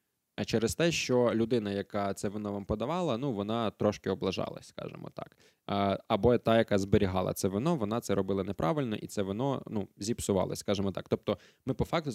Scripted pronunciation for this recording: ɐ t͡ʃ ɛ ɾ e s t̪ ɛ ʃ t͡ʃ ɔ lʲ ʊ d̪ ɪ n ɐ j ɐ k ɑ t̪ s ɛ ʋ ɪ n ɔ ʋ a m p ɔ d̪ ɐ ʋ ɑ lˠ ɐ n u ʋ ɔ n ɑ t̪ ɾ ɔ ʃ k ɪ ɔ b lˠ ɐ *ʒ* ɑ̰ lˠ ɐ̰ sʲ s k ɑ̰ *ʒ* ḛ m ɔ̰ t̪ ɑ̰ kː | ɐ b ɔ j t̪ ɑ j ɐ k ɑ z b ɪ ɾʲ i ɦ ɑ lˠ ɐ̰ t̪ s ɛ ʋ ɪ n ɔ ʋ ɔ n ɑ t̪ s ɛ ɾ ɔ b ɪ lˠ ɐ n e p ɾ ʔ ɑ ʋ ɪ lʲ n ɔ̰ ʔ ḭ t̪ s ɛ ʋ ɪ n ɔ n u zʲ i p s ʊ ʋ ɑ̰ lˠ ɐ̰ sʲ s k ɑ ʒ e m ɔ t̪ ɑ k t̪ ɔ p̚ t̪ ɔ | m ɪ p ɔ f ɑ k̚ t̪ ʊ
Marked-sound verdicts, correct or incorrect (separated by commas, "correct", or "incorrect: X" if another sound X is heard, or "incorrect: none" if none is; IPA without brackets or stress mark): correct, correct